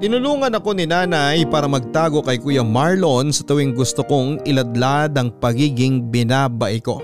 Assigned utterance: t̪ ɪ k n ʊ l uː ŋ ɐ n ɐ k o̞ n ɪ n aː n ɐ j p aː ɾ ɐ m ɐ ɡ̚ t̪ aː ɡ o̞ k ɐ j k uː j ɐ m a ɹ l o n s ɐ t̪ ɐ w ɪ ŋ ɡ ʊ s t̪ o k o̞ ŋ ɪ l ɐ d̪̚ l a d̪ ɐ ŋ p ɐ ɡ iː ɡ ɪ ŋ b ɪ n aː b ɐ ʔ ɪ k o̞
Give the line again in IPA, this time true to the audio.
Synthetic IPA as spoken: t̪ ɪ n ʊ l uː ŋ ɐ n ɐ k o̞ n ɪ n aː n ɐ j p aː ɾ ɐ m ɐ ɡ̚ t̪ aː ɡ o̞ k ɐ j k uː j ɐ m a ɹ l o n s ɐ t̪ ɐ w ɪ ŋ ɡ ʊ s t̪ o k o̞ ŋ ɪ l ɐ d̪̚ l a d̪ ɐ ŋ p ɐ ɡ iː ɡ ɪ ŋ b ɪ n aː b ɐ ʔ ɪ k o̞